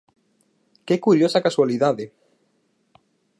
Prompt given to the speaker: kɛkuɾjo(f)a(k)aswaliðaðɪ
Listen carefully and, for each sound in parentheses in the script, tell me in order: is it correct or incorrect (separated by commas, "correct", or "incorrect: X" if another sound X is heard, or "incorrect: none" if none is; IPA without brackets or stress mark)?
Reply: incorrect: s, correct